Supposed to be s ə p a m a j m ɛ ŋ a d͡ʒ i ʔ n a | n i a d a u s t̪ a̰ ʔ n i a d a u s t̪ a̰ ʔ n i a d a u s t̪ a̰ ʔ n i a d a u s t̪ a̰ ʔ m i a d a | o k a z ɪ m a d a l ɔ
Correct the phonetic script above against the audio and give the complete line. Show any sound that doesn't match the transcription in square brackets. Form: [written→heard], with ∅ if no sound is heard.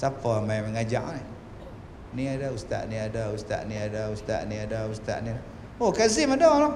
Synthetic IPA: s [ə→a] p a m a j m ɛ ŋ a d͡ʒ [i→a] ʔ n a | n i a d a u s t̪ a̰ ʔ n i a d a u s t̪ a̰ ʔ n i a d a u s t̪ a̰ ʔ n i a d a u s t̪ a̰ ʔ [m→n] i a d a | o k a z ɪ m a d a l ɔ